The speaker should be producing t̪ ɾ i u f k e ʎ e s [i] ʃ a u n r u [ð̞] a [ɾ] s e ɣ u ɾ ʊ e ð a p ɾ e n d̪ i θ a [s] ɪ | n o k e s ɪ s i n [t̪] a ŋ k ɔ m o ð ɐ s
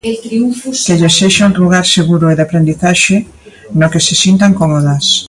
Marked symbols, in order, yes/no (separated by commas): no, no, yes, no, yes